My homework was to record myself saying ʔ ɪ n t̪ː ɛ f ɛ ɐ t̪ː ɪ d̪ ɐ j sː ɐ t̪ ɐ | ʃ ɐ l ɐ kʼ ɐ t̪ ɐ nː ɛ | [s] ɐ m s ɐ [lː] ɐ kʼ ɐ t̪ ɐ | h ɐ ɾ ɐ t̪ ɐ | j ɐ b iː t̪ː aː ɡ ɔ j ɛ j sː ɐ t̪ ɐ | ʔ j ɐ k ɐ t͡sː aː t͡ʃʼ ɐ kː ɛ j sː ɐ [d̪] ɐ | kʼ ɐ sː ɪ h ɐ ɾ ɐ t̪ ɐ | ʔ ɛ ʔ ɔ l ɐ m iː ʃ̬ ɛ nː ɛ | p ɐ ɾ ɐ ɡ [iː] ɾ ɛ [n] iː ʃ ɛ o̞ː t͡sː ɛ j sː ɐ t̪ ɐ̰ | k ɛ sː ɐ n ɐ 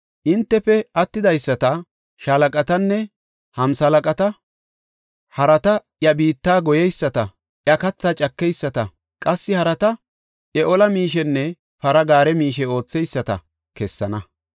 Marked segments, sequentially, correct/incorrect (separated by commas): incorrect, incorrect, incorrect, incorrect, incorrect